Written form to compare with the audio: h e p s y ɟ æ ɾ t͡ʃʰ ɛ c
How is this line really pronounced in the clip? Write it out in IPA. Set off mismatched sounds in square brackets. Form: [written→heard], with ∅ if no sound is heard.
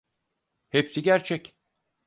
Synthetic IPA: h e p s [y→i] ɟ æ ɾ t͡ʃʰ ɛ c